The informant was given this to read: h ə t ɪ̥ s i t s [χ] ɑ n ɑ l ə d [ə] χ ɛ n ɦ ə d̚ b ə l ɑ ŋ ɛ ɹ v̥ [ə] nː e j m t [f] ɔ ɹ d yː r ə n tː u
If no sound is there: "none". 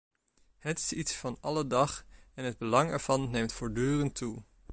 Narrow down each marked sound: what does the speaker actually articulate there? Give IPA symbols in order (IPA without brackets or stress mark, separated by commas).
f, ɑ, ɑ, f